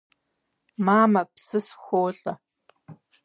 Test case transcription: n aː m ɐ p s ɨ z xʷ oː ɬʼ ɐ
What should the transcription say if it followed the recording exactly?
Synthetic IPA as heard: m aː m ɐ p s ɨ s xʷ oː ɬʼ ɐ